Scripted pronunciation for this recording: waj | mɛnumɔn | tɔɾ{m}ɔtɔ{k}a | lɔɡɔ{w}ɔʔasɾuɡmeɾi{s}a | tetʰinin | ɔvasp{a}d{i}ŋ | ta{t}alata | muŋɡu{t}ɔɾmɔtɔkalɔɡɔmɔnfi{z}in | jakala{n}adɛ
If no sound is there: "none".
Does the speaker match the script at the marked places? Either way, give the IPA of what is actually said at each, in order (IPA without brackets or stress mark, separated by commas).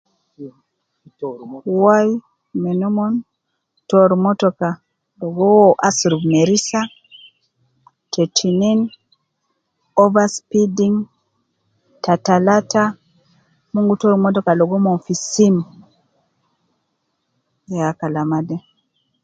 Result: m, k, w, s, i, i, t, t, s, m